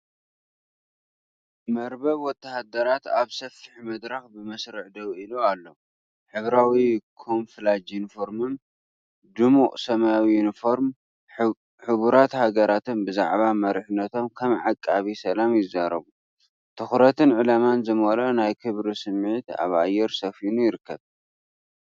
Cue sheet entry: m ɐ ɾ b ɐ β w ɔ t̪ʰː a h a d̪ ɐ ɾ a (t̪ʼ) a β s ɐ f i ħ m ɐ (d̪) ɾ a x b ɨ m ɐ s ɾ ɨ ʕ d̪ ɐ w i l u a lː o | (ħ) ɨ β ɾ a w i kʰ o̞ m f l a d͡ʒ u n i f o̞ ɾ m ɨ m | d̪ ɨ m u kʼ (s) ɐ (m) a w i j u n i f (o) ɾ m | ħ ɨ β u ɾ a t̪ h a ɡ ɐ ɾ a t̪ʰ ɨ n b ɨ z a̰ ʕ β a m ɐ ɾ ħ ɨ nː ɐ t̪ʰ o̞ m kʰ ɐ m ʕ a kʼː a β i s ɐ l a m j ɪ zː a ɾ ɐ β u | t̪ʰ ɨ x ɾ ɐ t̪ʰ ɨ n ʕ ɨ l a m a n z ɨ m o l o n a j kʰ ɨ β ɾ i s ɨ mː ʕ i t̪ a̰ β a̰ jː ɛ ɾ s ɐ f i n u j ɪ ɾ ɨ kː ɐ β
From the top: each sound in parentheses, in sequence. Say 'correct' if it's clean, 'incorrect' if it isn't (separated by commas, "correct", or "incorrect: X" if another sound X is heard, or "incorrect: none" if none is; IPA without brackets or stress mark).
incorrect: t̪, correct, correct, correct, correct, correct